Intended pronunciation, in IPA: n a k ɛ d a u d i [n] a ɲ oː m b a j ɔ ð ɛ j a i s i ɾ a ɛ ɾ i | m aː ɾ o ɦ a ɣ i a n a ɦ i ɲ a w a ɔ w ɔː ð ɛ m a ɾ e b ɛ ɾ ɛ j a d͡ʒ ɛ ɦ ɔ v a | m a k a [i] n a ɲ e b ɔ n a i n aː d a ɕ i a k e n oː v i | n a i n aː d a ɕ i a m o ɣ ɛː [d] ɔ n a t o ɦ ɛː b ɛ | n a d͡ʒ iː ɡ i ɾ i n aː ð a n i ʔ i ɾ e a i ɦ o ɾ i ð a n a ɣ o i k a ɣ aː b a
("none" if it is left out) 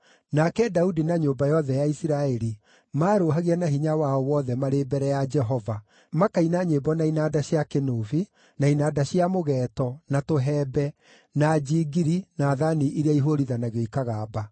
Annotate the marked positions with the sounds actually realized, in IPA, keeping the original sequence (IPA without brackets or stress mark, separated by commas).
n, i, t